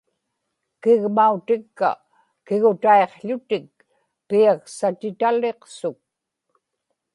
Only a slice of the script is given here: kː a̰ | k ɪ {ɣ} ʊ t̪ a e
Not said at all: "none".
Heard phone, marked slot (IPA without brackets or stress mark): ɣ